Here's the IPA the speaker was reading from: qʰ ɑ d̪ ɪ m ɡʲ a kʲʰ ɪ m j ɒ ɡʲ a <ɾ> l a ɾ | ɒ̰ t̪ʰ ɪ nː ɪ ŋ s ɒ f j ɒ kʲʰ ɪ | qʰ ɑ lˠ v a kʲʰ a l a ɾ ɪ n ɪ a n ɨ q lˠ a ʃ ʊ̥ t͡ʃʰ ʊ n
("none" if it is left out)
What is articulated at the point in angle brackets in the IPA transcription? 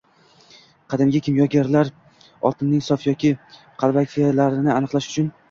ɾ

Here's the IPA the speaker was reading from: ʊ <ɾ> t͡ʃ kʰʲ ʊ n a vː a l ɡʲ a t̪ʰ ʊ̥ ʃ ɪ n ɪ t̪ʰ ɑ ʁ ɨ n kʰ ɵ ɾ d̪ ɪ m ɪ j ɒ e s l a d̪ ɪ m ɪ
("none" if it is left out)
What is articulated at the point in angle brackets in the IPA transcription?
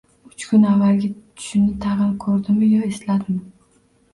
none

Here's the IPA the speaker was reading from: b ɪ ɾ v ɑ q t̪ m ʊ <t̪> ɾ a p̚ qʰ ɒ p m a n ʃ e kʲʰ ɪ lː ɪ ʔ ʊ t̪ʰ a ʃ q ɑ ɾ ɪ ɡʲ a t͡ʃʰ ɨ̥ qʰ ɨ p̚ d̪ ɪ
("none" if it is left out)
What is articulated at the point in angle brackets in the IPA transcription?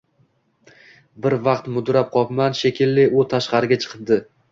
d̪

